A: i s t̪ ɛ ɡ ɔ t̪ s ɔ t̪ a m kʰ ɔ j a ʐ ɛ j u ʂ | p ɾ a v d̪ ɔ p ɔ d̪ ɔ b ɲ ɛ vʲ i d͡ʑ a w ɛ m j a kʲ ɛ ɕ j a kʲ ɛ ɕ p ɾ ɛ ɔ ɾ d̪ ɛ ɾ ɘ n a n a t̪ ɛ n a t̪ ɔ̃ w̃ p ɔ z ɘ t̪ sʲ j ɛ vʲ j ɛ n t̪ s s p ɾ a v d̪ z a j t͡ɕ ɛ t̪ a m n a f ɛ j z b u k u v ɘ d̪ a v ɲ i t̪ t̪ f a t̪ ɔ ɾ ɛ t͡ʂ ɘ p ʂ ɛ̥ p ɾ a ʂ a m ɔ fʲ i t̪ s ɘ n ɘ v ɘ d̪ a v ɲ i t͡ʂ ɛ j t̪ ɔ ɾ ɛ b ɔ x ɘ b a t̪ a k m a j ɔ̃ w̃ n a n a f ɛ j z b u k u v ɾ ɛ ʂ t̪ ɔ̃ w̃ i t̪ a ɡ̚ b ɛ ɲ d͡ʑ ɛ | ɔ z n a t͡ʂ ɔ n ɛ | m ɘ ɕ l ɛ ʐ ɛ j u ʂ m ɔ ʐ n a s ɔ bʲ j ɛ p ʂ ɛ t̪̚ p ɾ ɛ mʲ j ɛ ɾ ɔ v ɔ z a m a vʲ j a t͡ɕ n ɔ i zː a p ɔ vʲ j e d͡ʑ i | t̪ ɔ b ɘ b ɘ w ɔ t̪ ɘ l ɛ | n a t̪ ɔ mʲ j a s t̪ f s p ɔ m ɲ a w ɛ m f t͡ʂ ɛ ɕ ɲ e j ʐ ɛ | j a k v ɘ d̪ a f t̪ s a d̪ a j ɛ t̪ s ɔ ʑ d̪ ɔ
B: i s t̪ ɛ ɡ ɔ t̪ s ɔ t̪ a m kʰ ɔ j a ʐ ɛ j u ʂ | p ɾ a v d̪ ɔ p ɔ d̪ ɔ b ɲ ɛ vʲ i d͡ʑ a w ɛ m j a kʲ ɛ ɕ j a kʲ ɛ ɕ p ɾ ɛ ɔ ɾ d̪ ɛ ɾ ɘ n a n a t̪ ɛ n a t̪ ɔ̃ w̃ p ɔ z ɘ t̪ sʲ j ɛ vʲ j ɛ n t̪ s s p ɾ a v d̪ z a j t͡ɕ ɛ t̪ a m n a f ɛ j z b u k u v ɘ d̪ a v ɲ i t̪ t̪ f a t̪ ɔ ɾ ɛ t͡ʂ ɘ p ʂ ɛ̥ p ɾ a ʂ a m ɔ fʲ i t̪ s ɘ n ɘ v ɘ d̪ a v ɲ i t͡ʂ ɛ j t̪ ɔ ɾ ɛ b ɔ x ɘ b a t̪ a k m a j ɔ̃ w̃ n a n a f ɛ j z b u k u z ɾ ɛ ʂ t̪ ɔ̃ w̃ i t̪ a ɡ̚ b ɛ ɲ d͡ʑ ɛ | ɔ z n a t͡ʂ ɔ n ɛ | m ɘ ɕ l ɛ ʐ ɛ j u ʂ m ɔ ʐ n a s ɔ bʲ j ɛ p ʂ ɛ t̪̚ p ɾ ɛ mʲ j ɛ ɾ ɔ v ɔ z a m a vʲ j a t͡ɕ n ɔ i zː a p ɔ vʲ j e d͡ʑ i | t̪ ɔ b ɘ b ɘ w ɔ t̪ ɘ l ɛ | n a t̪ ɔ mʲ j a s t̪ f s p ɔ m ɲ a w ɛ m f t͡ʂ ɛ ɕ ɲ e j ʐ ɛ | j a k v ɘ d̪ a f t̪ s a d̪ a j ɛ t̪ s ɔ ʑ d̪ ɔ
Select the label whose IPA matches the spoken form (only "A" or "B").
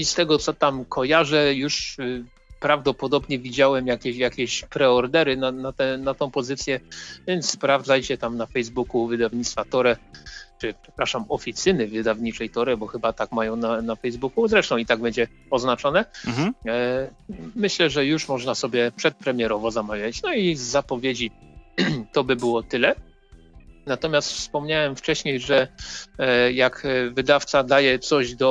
B